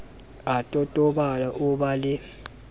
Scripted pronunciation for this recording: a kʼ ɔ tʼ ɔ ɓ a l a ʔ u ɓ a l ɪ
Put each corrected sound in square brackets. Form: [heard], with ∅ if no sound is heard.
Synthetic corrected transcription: a [tʼ] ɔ tʼ ɔ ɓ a l a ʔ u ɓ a l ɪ